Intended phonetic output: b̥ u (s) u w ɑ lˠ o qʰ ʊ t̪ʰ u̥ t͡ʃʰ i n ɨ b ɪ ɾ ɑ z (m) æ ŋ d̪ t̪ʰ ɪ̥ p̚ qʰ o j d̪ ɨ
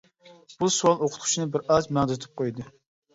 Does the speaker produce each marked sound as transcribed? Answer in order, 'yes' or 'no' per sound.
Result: yes, yes

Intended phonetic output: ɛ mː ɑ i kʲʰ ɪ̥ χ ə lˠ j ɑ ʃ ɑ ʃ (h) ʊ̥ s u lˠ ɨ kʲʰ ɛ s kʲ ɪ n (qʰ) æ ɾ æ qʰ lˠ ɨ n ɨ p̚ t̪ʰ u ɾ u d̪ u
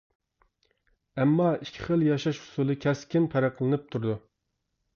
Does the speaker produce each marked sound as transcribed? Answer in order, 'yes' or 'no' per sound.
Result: yes, no

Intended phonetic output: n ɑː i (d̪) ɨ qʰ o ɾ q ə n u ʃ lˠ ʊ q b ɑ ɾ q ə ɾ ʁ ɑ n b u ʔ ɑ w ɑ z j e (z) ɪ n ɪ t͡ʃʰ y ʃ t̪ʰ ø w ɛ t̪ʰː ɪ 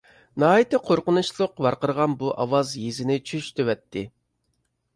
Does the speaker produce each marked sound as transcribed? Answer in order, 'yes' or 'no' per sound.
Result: no, yes

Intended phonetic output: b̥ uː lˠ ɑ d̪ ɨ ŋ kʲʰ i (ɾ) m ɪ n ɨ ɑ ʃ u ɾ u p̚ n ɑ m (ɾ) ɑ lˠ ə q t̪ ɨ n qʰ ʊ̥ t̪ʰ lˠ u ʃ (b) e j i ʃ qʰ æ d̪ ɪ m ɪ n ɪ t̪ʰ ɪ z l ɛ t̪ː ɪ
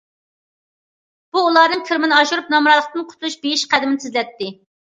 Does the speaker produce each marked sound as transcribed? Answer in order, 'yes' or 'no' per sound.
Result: yes, yes, yes

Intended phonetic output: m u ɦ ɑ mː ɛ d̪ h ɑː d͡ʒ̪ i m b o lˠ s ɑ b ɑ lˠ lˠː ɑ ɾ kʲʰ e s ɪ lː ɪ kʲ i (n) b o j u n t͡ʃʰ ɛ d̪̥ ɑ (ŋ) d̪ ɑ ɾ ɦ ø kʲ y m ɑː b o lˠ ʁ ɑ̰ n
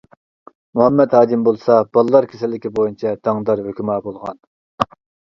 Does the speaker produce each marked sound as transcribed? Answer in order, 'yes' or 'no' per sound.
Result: no, yes

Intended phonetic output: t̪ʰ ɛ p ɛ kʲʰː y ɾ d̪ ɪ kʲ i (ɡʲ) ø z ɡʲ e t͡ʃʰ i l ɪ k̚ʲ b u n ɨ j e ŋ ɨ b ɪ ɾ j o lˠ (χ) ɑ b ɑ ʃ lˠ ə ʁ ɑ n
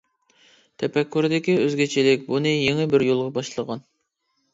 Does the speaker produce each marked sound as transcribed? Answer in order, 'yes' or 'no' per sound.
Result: no, no

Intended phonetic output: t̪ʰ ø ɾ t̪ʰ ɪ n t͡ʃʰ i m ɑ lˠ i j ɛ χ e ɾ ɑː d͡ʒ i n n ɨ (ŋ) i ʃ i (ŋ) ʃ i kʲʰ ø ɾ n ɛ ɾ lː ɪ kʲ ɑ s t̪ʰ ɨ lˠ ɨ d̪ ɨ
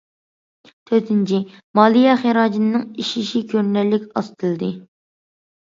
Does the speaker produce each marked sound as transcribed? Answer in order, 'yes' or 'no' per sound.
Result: yes, no

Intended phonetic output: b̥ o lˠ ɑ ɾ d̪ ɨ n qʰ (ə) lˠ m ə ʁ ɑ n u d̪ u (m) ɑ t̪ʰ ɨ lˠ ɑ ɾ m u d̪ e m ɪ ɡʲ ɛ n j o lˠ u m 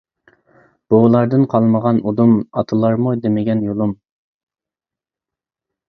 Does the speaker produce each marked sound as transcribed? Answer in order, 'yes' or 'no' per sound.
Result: no, yes

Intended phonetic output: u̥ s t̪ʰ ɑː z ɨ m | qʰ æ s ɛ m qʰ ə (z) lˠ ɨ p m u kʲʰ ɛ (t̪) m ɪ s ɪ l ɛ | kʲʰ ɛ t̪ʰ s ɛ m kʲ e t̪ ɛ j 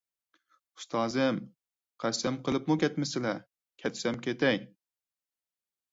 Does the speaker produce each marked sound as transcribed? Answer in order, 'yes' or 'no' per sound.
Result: no, yes

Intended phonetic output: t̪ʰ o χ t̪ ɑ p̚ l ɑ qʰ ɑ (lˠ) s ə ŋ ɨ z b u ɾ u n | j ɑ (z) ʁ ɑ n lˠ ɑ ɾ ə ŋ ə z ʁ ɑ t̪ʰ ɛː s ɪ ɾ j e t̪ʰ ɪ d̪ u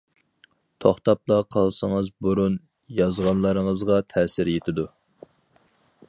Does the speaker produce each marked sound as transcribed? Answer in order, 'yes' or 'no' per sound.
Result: yes, yes

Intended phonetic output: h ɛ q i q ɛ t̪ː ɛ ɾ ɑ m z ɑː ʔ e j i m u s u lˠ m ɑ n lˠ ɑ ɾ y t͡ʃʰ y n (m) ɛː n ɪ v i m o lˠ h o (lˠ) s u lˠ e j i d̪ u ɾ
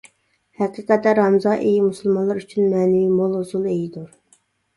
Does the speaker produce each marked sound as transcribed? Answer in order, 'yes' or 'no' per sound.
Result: yes, no

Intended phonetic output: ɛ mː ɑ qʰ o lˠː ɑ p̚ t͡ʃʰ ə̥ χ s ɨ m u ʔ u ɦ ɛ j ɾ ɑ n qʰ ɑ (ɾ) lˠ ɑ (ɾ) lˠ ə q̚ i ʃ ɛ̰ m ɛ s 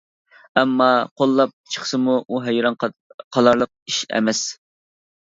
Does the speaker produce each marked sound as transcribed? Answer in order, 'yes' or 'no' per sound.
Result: no, yes

